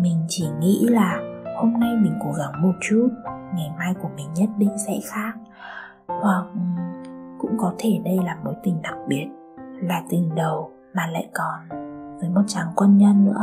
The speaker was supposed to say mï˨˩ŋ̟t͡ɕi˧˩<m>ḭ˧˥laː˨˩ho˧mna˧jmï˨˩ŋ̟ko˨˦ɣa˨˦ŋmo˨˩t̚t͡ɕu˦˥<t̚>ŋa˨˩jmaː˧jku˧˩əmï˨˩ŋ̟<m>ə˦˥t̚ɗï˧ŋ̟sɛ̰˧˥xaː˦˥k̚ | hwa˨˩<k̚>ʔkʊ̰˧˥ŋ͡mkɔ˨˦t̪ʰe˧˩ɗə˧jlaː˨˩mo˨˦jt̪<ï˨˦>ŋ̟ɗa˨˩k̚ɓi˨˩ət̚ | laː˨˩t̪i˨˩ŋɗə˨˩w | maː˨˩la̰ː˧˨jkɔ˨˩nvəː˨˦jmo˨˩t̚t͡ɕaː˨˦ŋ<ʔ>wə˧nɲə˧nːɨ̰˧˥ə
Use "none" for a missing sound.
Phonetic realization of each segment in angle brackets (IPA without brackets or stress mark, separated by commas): ŋ, t̚, ɲ, k̚, ï˨˩, k